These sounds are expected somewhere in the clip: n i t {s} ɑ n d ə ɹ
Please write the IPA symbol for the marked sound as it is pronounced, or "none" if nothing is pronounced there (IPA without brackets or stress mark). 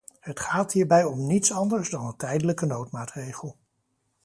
s